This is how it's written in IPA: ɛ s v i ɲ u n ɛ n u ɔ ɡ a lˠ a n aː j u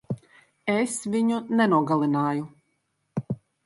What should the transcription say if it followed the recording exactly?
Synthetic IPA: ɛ s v i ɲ u n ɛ n u ɔ ɡ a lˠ i n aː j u